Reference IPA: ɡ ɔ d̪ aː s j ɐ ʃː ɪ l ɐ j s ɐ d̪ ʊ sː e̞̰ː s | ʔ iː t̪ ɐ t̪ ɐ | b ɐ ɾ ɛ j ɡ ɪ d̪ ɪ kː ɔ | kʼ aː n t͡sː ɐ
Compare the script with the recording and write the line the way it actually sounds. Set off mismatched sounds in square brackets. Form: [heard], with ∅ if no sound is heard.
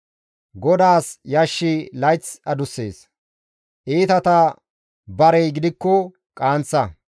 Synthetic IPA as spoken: ɡ ɔ d̪ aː s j ɐ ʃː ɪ l ɐ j [t͡s] ɐ d̪ ʊ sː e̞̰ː s | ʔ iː t̪ ɐ t̪ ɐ | b ɐ ɾ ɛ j ɡ ɪ d̪ ɪ kː ɔ | kʼ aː n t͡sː ɐ